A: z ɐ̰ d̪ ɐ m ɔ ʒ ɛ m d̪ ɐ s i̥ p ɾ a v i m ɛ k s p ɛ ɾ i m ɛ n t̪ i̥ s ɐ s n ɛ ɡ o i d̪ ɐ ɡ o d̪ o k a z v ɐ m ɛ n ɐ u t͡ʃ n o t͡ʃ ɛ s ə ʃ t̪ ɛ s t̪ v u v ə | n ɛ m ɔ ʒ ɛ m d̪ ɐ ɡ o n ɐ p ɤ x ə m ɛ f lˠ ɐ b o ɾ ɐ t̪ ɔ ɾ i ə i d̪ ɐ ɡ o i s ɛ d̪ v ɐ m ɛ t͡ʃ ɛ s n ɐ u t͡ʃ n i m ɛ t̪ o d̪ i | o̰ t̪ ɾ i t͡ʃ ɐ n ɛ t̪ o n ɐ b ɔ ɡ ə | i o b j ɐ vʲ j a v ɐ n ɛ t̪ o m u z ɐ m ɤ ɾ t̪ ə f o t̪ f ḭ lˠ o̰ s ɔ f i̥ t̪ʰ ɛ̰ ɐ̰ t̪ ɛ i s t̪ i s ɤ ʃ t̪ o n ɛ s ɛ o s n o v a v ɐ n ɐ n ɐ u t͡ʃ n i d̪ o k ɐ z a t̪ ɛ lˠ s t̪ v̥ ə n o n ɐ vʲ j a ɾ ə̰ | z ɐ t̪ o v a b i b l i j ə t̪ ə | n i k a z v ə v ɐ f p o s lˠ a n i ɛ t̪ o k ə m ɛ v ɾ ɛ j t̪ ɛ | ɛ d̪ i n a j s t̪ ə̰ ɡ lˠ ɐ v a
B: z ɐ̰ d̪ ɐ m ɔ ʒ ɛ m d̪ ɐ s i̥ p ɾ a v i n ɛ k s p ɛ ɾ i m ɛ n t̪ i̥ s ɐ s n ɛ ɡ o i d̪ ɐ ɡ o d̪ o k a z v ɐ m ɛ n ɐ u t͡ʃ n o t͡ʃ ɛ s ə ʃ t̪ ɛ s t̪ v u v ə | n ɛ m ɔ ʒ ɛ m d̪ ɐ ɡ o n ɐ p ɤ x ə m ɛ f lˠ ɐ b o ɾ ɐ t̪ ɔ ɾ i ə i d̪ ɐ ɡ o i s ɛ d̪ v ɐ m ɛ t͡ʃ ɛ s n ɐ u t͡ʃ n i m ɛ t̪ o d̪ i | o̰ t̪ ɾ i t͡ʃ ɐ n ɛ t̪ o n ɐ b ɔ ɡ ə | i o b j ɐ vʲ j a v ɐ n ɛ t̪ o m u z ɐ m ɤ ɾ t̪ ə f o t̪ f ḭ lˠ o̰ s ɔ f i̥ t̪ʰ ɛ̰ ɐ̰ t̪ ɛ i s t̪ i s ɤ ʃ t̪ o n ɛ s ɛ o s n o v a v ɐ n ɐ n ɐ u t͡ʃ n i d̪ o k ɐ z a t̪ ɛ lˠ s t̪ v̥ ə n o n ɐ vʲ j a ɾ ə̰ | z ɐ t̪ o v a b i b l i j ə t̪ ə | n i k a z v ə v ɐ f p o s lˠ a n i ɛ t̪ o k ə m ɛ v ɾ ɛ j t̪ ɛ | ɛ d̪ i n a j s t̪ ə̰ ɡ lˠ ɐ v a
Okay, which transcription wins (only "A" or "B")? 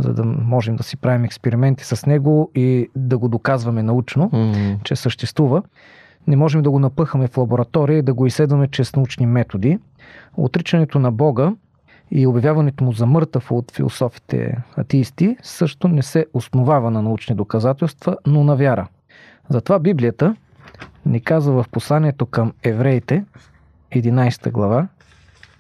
A